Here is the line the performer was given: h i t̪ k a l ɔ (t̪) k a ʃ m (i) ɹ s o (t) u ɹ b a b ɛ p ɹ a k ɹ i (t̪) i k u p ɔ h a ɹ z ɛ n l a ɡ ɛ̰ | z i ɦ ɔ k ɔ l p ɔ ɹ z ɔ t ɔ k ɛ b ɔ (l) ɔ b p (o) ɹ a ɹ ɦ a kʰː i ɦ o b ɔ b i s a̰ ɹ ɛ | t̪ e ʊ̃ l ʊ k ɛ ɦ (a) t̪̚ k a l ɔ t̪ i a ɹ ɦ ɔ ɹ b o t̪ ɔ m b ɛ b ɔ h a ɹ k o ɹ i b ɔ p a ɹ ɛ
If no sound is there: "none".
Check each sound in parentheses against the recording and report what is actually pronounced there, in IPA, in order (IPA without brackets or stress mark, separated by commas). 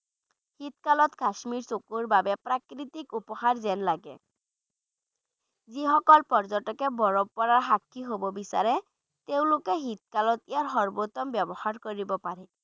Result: t̪, i, k, t̪, ɹ, ɔ, i